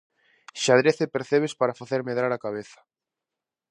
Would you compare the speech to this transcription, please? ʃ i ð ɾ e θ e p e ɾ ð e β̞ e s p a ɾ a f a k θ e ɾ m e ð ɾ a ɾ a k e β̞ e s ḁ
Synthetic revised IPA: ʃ a ð ɾ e θ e p e ɾ θ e β̞ e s p a ɾ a f a θ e ɾ m e ð ɾ a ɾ a k a β̞ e θ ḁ